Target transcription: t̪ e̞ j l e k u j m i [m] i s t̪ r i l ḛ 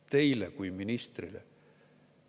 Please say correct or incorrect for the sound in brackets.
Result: incorrect